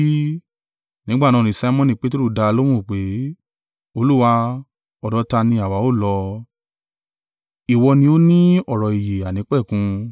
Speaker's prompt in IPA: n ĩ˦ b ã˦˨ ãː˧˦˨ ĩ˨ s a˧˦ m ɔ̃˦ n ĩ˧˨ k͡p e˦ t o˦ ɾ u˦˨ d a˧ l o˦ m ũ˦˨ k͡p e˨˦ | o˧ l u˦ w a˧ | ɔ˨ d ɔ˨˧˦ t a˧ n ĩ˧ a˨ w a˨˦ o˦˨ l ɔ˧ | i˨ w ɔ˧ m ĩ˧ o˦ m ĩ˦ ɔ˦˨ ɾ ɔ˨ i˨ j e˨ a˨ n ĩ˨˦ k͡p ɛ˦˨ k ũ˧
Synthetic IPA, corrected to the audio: n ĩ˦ ɡ͡b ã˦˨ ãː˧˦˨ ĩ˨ s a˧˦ m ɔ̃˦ n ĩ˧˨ k͡p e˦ t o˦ ɾ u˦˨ d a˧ l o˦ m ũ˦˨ k͡p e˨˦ | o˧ l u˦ w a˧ | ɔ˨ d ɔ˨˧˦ t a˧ n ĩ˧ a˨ w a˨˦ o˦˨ l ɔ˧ | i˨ w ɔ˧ n ĩ˧ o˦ n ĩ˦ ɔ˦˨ ɾ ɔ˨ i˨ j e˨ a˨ n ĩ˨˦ k͡p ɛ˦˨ k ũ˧